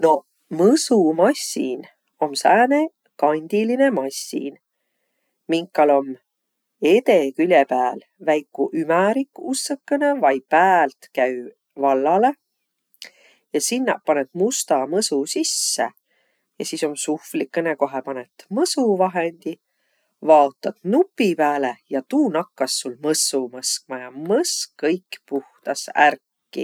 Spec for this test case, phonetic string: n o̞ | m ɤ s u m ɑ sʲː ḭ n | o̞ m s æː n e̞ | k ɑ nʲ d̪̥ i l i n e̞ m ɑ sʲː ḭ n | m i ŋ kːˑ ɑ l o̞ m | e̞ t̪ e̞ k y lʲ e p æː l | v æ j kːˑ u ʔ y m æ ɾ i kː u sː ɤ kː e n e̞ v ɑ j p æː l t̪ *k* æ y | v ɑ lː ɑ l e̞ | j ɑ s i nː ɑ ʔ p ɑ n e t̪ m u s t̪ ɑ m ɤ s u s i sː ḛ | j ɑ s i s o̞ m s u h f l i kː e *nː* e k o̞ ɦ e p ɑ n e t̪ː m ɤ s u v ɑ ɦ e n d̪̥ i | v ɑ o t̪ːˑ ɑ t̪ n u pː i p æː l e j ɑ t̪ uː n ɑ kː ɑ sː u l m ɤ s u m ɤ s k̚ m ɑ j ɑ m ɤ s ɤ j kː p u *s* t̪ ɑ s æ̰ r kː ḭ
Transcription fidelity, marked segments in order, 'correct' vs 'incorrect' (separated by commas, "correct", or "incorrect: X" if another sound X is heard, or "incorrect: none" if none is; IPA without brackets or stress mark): correct, incorrect: n, incorrect: h